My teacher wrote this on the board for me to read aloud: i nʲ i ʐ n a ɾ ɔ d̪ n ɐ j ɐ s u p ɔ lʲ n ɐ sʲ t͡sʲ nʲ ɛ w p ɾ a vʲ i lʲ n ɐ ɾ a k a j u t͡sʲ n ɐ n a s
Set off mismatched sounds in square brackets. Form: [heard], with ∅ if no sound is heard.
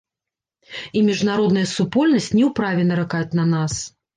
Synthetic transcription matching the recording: i [mʲ] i ʐ n a ɾ ɔ d̪ n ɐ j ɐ s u p ɔ lʲ n ɐ sʲ t͡sʲ nʲ ɛ w p ɾ a vʲ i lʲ n ɐ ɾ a k a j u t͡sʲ n ɐ n a s